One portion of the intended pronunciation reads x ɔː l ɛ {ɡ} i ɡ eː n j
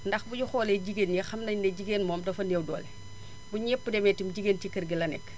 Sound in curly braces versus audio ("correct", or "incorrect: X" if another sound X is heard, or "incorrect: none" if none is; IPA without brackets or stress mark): incorrect: ɟ